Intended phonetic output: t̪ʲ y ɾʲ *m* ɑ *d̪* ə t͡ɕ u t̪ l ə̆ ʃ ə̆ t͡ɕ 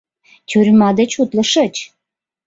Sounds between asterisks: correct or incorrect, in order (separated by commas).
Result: correct, correct